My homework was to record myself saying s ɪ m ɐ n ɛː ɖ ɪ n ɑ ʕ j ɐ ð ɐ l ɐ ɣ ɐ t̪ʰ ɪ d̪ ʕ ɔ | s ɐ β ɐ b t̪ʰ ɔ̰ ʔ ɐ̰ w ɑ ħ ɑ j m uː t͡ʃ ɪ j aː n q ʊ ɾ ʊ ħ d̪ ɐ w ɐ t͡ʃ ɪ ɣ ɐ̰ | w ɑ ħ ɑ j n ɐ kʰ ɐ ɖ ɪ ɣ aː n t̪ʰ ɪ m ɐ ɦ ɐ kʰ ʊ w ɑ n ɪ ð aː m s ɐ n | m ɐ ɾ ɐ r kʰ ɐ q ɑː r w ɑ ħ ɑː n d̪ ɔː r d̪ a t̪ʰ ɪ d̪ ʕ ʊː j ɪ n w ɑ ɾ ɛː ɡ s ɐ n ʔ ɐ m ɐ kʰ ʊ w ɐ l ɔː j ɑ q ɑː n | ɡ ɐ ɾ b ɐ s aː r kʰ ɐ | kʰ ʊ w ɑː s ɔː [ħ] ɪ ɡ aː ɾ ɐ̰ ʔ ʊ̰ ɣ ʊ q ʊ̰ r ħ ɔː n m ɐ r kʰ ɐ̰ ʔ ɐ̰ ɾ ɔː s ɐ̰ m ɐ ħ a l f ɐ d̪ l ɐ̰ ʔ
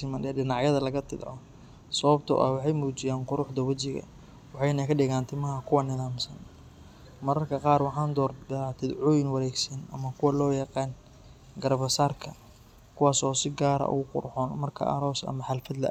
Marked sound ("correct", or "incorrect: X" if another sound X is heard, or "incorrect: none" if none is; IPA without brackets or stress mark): incorrect: s